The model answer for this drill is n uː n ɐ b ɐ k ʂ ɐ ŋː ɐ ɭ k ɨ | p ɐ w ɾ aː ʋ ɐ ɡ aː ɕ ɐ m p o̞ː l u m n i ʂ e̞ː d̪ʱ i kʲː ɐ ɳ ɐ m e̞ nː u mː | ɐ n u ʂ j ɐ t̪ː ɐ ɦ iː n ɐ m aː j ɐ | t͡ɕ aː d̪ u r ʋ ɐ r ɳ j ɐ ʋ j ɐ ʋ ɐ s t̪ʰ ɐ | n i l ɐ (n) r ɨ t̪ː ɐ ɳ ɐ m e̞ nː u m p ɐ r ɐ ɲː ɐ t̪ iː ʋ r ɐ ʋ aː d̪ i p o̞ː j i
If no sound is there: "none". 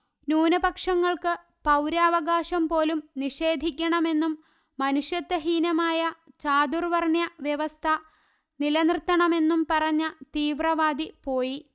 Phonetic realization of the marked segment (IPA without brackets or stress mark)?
n